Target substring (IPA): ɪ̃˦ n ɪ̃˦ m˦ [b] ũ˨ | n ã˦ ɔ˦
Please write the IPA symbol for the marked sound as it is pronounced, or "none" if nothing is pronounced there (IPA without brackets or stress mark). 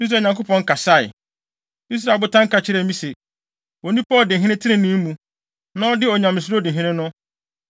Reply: m